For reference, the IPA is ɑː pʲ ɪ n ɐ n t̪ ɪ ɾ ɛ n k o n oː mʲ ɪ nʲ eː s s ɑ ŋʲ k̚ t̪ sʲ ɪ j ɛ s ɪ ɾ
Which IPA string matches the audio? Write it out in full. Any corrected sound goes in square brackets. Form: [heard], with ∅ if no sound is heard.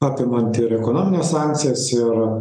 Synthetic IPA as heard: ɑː pʲ ɪ [m] ɐ n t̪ ɪ ɾ ɛ [∅] k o n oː mʲ ɪ nʲ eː s s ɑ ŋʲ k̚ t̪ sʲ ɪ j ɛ s ɪ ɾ